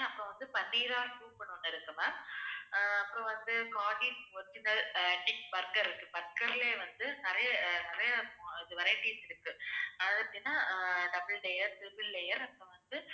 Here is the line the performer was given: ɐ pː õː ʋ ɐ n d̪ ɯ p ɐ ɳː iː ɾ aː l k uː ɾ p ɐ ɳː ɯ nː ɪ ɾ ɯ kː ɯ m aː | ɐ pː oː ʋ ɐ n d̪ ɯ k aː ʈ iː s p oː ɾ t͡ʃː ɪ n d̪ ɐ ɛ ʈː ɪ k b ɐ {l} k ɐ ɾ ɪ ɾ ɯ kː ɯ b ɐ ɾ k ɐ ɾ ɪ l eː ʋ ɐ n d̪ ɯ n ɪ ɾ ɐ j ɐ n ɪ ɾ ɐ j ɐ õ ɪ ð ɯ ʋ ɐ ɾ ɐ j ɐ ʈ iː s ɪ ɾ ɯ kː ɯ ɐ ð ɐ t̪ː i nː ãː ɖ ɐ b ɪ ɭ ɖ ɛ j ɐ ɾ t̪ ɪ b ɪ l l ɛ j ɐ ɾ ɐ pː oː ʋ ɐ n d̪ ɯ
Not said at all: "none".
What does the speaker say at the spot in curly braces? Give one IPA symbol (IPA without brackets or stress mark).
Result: ɾ